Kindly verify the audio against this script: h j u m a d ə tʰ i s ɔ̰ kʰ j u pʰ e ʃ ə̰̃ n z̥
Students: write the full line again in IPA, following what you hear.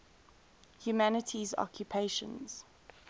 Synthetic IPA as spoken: h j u m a n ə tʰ i z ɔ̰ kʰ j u pʰ e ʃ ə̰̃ n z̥